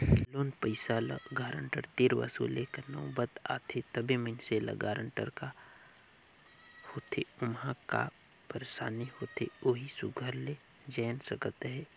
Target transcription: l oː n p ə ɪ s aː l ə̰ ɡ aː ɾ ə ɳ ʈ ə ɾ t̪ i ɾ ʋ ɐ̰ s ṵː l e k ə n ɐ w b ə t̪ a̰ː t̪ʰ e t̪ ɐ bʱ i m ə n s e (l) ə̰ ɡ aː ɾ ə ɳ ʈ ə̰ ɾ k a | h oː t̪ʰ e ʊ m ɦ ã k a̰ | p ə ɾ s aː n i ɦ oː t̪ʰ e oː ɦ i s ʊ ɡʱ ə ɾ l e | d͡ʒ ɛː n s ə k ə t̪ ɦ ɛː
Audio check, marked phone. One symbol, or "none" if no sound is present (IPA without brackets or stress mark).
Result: l